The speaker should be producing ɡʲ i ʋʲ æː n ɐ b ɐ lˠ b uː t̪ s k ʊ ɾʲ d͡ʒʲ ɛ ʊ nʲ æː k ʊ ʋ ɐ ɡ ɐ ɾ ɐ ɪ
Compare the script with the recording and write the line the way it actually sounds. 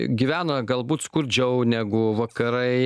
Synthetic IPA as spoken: ɡʲ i ʋʲ æː n ɐ ɡ ɐ lˠ b uː t̪ s k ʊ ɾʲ d͡ʒʲ ɛ ʊ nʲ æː ɡ ʊ ʋ ɐ k ɐ ɾ ɐ ɪ